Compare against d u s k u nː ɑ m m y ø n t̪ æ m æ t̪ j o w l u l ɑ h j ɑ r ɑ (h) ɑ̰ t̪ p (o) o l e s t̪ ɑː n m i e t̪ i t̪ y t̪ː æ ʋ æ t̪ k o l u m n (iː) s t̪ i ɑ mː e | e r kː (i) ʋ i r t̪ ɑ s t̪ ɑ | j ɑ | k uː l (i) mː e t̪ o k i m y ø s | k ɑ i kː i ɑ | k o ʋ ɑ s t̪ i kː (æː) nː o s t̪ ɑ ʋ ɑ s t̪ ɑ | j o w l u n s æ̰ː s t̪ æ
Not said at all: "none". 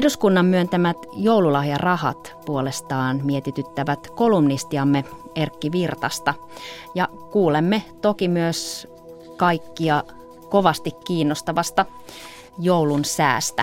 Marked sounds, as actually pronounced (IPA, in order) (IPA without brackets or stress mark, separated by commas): h, u, i, i, e, iː